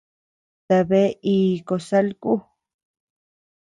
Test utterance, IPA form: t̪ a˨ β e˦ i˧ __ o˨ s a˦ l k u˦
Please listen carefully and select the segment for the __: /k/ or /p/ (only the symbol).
k